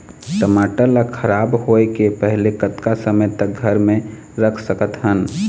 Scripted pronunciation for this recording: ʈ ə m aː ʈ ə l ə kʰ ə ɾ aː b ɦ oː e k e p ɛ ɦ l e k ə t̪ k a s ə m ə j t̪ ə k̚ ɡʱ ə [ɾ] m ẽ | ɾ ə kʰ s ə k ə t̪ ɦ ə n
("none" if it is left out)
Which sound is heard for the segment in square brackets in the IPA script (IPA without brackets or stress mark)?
ɾ